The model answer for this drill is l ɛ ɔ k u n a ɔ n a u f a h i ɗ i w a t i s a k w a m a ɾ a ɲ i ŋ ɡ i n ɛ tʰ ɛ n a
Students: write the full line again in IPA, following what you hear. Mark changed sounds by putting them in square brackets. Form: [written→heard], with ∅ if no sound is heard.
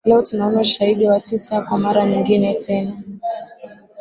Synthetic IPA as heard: l ɛ ɔ [k→t] u n a ɔ n a u [f→ʃ] a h i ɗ i w a t i s a k w a m a ɾ a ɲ i ŋ ɡ i n ɛ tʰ ɛ n a